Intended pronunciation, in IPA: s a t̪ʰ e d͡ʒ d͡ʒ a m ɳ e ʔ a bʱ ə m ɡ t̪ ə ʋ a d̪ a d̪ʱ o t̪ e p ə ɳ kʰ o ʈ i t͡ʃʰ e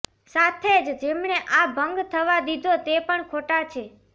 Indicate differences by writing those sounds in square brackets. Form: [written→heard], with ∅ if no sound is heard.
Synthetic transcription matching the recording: s a t̪ʰ e d͡ʒ d͡ʒ [a→e] m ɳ e ʔ a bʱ ə [m→ŋ] ɡ [t̪→t̪ʰ] ə ʋ a d̪ [a→i] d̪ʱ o t̪ e p ə ɳ kʰ o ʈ [i→a] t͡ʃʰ e